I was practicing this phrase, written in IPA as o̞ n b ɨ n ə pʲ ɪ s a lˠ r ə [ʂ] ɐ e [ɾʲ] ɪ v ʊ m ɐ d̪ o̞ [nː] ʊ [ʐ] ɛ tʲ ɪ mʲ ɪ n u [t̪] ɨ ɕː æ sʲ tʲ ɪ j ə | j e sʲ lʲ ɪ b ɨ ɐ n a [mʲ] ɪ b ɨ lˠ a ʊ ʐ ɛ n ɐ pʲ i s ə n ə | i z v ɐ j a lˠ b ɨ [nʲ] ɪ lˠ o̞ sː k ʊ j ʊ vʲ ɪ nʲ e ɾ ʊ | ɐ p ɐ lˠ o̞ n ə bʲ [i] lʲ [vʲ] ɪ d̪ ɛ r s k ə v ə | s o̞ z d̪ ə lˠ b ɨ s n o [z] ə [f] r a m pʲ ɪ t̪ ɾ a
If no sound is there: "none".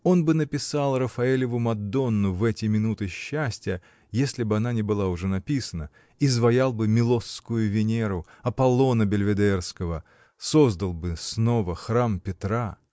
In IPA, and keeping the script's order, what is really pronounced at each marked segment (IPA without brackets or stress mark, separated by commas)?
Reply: f, lʲ, nː, v, t̪, nʲ, mʲ, ɪ, vʲ, v, x